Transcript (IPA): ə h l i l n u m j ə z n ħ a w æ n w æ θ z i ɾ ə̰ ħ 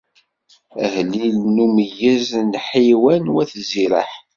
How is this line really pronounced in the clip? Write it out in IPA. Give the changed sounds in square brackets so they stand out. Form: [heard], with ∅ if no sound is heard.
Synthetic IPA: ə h l i l n u m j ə z n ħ [i] w æ n w æ θ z i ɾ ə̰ ħ